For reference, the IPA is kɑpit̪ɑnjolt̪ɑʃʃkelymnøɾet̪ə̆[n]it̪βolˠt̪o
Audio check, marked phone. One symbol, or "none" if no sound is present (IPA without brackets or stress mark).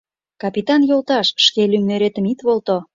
m